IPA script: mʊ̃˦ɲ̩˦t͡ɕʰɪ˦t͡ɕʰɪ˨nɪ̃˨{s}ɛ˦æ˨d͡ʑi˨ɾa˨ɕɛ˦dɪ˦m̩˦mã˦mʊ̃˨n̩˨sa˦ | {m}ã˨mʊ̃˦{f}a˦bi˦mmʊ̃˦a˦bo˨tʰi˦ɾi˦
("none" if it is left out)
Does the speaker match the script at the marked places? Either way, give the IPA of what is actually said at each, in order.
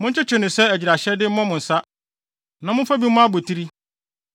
s, n, f

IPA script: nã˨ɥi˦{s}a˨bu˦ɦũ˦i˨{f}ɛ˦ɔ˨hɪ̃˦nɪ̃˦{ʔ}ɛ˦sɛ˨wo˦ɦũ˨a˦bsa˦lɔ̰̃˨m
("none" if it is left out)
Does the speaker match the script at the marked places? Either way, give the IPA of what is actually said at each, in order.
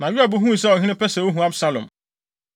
none, s, p

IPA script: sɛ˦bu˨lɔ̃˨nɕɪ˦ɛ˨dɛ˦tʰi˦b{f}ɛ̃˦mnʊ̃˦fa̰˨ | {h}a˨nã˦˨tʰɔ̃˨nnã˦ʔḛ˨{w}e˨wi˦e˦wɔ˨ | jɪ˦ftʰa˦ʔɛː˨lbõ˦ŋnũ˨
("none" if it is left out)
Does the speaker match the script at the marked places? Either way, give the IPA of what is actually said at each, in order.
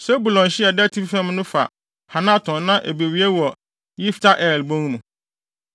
f, h, b

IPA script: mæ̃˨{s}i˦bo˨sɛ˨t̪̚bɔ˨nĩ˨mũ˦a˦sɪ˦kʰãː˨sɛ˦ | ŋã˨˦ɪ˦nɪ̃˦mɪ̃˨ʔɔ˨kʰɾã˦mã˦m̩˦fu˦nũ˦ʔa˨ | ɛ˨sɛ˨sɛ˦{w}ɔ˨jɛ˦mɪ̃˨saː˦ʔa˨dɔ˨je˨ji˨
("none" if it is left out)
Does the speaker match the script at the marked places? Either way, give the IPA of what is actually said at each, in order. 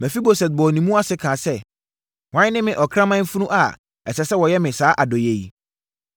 f, w

